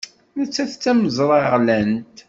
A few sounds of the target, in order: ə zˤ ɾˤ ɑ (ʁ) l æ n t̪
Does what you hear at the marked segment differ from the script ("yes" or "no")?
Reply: no